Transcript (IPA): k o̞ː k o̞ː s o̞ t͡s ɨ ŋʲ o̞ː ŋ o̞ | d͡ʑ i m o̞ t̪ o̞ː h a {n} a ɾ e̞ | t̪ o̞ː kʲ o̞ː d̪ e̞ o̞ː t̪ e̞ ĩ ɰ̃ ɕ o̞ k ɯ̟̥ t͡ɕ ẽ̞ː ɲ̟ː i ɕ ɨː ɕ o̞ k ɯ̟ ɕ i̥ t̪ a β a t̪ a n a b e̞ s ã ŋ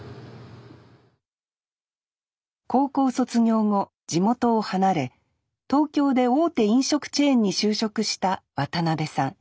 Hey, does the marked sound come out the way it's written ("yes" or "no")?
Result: yes